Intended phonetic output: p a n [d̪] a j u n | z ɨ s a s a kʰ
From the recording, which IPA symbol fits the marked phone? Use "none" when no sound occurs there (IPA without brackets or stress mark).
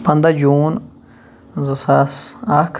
d̪